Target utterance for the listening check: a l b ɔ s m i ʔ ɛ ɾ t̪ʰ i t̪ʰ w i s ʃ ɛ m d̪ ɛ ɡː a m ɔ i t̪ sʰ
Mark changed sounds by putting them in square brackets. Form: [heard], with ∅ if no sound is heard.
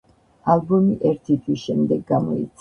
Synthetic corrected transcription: a l b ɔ [∅] m i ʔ ɛ ɾ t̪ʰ i t̪ʰ w i s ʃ ɛ m d̪ ɛ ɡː a m ɔ i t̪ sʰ